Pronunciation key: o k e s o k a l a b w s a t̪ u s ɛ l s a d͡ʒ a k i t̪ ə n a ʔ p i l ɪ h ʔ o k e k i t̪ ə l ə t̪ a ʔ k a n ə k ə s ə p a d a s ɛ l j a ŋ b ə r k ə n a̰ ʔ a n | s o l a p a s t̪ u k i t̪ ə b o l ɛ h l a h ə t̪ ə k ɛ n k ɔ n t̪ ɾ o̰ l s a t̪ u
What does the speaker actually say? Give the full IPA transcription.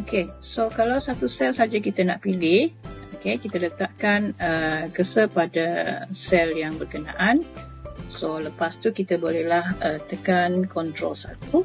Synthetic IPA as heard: o k e s o k a l a w s a t̪ u s ɛ l s a d͡ʒ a k i t̪ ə n a ʔ p i l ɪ h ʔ o k e k i t̪ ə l ə t̪ a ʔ k a n ə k ə s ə p a d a s ɛ l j a ŋ b ə r k ə n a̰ ʔ a n | s o l ə p a s t̪ u k i t̪ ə b o l ɛ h l a h ə t̪ ə k a n k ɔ n t̪ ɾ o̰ l s a t̪ u